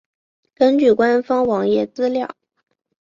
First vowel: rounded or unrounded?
unrounded